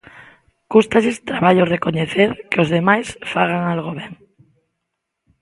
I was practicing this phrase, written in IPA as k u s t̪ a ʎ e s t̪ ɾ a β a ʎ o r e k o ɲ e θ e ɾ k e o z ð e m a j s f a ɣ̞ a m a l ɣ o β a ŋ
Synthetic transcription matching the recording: k u s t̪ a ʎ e s t̪ ɾ a β a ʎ o r e k o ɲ e θ e ɾ k e o z ð e m a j s f a ɣ̞ a ŋ a l ɣ o β e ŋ